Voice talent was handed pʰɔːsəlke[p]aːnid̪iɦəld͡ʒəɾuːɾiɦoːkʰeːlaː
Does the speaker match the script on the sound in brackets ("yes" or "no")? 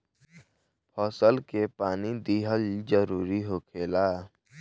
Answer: yes